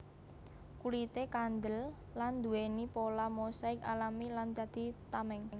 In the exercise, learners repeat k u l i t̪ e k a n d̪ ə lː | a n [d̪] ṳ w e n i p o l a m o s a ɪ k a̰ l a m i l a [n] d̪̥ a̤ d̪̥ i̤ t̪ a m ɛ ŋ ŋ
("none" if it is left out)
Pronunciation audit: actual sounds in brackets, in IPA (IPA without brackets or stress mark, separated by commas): d̪, n